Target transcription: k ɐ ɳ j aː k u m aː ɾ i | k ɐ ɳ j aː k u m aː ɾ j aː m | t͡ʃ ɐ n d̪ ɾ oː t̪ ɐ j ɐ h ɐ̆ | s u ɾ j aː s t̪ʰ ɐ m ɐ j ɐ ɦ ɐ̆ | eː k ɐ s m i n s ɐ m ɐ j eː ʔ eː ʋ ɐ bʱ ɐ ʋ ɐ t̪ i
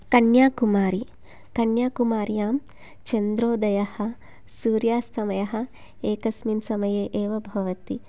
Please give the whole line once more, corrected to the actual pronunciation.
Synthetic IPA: k ɐ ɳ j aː k u m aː ɾ i | k ɐ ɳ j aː k u m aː ɾ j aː m | t͡ʃ ɐ n d̪ ɾ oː d̪ ɐ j ɐ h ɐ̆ | s uː ɾ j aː s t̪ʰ ɐ m ɐ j ɐ ɦ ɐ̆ | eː k ɐ s m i n s ɐ m ɐ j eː ʔ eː ʋ ɐ bʱ ɐ ʋ ɐ t̪ i

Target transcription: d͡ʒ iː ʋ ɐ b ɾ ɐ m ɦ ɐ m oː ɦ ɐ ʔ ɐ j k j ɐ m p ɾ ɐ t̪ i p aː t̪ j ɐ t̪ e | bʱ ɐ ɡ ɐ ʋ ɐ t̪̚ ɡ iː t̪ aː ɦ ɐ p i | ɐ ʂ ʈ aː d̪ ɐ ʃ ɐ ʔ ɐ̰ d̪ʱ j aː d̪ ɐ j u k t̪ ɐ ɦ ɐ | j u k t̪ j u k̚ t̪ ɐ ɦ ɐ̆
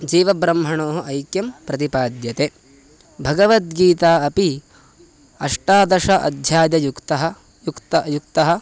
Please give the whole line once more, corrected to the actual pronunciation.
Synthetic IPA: d͡ʒ iː ʋ ɐ b ɾ ɐ m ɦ ɐ ɳ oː ɦ ɐ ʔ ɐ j k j ɐ m p ɾ ɐ t̪ i p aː d̪ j ɐ t̪ e | bʱ ɐ ɡ ɐ ʋ ɐ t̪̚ ɡ iː t̪ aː ɐ p i | ɐ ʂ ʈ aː d̪ ɐ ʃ ɐ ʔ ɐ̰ d̪ʱ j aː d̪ ɐ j u k t̪ ɐ ɦ ɐ | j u k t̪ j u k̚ t̪ ɐ ɦ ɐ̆

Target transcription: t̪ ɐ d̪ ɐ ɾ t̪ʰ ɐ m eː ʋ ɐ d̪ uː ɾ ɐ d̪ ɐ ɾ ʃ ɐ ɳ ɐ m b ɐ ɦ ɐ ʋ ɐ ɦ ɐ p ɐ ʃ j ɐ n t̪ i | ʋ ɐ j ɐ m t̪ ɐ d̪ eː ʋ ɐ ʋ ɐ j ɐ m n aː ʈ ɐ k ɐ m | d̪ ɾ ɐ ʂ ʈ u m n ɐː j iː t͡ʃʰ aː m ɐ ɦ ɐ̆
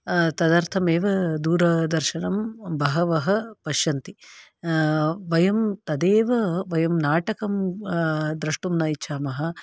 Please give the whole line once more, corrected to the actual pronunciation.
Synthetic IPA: t̪ ɐ d̪ ɐ ɾ t̪ʰ ɐ m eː ʋ ɐ d̪ uː ɾ ɐ d̪ ɐ ɾ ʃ ɐ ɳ ɐ m b ɐ ɦ ɐ ʋ ɐ ɦ ɐ p ɐ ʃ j ɐ n t̪ i | ʋ ɐ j ɐ m t̪ ɐ d̪ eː ʋ ɐ ʋ ɐ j ɐ m n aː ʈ ɐ k ɐ m | d̪ ɾ ɐ ʂ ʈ u m n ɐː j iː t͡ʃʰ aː m ɐ ɦ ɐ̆

